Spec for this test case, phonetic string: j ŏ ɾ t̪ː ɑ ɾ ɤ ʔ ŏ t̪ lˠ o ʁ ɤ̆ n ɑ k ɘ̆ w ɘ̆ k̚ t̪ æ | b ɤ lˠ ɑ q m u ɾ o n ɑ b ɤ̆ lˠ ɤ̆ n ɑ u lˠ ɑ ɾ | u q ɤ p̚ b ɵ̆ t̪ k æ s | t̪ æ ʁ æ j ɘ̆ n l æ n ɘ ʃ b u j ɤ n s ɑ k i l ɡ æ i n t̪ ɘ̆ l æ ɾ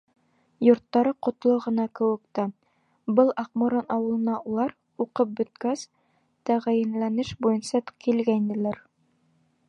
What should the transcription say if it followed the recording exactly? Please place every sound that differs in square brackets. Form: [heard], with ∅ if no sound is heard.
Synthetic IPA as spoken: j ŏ ɾ t̪ː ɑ ɾ ɤ [q] ŏ t̪ lˠ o ʁ ɤ̆ n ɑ k ɘ̆ w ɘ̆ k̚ t̪ æ | b ɤ lˠ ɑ q m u ɾ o n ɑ [w] ɤ̆ lˠ ɤ̆ n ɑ u lˠ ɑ ɾ | u q ɤ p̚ b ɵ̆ t̪ k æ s | t̪ æ ʁ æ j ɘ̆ n l æ n ɘ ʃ b u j ɤ n s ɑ k i l ɡ æ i n [d̪] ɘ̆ l æ ɾ

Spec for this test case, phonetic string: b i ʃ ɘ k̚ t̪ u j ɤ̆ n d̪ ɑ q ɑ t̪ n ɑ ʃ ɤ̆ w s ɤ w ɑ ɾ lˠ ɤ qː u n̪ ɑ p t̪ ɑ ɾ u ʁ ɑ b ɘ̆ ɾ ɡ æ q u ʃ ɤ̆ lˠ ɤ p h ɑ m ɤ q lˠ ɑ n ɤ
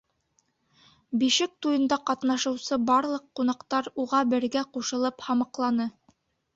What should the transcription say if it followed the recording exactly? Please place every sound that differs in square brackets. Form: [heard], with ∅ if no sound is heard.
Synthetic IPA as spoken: b i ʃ ɘ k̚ t̪ u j ɤ̆ n d̪ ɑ q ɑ t̪ n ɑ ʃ ɤ̆ w s ɤ [b] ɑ ɾ lˠ ɤ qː u n̪ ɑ [q] t̪ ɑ ɾ u ʁ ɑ b ɘ̆ ɾ ɡ æ q u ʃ ɤ̆ lˠ ɤ p h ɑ m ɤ q lˠ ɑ n ɤ

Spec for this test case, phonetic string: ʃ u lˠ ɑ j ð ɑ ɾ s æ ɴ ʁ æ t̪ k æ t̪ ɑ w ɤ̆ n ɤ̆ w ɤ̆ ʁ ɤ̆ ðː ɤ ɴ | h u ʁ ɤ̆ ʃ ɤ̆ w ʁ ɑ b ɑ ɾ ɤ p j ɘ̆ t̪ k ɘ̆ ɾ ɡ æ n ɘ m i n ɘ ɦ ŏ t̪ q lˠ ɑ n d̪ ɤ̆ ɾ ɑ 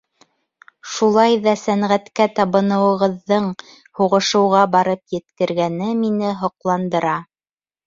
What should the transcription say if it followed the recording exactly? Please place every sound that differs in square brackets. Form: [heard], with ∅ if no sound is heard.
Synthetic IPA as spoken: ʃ u lˠ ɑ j ð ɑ [∅] s æ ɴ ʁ æ t̪ k æ t̪ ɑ [β] ɤ̆ n ɤ̆ w ɤ̆ ʁ ɤ̆ ðː ɤ ɴ | h u ʁ ɤ̆ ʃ ɤ̆ w ʁ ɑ b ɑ ɾ ɤ p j ɘ̆ t̪ k ɘ̆ ɾ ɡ æ n ɘ m i n ɘ ɦ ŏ [∅] q lˠ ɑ n d̪ ɤ̆ ɾ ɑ

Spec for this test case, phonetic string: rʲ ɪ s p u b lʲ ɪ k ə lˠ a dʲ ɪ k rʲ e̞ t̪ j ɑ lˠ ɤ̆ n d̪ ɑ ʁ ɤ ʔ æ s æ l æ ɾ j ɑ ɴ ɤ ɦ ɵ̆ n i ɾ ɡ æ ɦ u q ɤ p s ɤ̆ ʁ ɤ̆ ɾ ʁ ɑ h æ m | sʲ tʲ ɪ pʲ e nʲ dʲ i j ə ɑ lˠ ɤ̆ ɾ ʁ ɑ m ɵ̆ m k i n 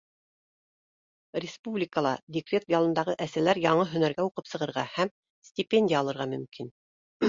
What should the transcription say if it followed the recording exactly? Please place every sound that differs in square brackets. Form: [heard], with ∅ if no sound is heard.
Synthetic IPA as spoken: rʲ ɪ s p u b lʲ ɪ k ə lˠ [ɑ] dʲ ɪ k rʲ e̞ t̪ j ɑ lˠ ɤ̆ n d̪ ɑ ʁ ɤ ʔ æ s æ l æ ɾ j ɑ ɴ ɤ ɦ ɵ̆ n [æ] ɾ ɡ æ [∅] u q ɤ p s ɤ̆ ʁ ɤ̆ ɾ ʁ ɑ h æ m | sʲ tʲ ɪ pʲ e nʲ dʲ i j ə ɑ lˠ ɤ̆ ɾ ʁ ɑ m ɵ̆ m k i n

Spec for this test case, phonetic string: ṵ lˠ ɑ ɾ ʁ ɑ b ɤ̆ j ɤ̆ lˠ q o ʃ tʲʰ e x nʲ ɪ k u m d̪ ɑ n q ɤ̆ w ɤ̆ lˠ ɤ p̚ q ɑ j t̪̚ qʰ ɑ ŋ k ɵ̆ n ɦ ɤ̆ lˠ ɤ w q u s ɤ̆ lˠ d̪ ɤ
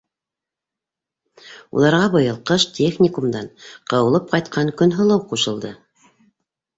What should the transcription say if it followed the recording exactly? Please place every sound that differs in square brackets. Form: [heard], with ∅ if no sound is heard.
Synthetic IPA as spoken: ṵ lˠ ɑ ɾ ʁ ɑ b ɤ̆ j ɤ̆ lˠ q [ɤ] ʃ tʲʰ e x nʲ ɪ k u m d̪ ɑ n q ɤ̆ w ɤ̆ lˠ ɤ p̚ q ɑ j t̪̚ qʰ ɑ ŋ k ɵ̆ n ɦ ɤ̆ lˠ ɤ w q u [ʃ] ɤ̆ lˠ d̪ ɤ

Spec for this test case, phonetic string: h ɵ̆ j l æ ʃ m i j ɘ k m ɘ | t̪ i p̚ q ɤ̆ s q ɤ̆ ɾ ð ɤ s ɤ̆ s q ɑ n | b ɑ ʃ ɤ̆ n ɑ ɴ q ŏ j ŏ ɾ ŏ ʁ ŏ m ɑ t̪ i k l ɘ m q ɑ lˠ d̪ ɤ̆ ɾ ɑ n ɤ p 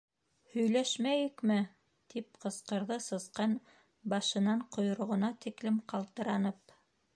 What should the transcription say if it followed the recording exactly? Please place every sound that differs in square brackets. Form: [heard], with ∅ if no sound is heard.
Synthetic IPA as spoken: h ɵ̆ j l æ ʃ m [æ] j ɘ k m ɘ | t̪ i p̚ q ɤ̆ s q ɤ̆ ɾ ð ɤ s ɤ̆ s q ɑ n | b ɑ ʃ ɤ̆ n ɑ ɴ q ŏ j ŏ ɾ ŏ ʁ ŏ [n] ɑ t̪ i k l ɘ m q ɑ lˠ [t̪] ɤ̆ ɾ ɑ n ɤ p

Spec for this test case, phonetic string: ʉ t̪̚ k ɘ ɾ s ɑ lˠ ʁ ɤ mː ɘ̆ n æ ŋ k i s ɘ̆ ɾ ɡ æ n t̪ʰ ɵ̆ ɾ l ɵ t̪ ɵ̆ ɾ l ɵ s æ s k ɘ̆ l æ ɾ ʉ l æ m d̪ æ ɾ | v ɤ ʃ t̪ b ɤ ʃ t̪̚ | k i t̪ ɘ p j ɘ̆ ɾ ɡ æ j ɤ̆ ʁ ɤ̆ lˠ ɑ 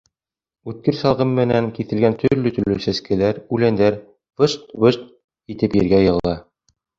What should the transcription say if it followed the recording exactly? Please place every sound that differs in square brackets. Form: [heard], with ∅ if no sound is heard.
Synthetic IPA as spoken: ʉ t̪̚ k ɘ ɾ s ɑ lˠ ʁ ɤ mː ɘ̆ n æ ŋ k i [θ] ɘ̆ [l] ɡ æ n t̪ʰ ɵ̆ ɾ l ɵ t̪ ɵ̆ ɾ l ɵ s æ s k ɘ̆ l æ ɾ ʉ l æ [n] d̪ æ ɾ | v ɤ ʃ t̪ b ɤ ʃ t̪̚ | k i t̪ ɘ p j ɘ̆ ɾ ɡ æ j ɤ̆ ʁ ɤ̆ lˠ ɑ

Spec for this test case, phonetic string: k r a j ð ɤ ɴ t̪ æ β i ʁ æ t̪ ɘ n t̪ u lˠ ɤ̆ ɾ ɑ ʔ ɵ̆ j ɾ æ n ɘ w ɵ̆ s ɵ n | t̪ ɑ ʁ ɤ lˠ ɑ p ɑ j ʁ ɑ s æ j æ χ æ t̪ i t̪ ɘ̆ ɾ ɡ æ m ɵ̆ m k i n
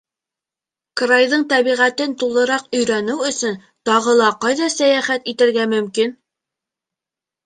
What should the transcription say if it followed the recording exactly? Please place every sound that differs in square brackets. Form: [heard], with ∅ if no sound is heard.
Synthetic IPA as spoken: k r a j ð ɤ ɴ t̪ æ β i ʁ æ t̪ ɘ n t̪ u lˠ ɤ̆ ɾ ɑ [q] ɵ̆ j ɾ æ n ɘ w ɵ̆ s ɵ n | t̪ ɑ ʁ ɤ lˠ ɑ [q] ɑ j [ð] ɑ s æ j æ χ æ t̪ i t̪ ɘ̆ ɾ ɡ æ m ɵ̆ m k i n

